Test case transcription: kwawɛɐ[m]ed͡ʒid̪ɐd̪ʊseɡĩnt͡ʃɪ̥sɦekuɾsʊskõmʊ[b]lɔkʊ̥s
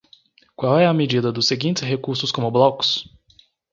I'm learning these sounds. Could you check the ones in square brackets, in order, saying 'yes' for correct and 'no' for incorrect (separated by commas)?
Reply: yes, yes